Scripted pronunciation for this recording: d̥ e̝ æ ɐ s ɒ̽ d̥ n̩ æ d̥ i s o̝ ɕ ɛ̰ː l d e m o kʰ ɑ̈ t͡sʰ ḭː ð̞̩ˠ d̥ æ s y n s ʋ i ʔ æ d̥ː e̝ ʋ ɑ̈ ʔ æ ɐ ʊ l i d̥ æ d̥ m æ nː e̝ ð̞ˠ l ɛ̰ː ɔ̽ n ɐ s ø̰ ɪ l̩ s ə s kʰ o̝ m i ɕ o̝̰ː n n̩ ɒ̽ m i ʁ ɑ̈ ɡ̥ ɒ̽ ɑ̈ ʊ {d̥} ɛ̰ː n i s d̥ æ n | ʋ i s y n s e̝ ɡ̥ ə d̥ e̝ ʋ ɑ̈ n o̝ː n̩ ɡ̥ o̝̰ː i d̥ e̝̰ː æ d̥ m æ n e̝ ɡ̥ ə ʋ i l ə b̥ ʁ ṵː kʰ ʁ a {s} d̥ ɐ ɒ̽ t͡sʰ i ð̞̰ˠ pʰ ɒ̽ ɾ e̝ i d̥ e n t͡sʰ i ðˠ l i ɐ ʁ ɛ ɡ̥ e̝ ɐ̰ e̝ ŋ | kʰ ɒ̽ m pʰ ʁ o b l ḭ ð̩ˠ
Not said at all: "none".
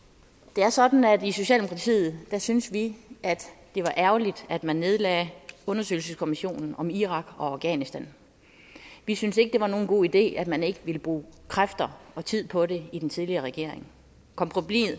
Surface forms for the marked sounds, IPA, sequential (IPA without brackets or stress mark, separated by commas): ɡ̥, f